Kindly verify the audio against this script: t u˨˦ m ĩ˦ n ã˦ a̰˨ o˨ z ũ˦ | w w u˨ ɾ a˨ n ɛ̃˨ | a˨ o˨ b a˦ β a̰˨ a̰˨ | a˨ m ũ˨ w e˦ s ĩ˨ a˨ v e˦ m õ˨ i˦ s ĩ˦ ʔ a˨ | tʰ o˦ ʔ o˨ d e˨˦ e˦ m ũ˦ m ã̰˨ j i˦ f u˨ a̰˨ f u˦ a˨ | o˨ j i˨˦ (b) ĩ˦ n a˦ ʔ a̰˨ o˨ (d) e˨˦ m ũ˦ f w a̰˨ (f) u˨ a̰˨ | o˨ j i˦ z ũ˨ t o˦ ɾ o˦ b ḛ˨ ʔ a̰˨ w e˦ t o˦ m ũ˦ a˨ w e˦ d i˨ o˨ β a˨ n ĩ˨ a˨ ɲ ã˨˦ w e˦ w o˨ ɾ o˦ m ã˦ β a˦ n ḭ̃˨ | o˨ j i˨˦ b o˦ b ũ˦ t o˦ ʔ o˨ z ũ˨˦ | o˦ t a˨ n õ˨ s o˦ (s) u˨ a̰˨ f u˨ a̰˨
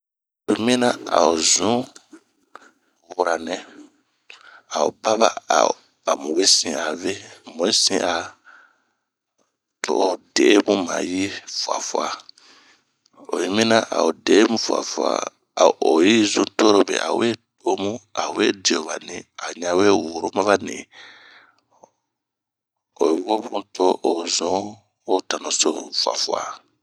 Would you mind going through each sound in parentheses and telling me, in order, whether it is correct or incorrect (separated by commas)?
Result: incorrect, correct, correct, incorrect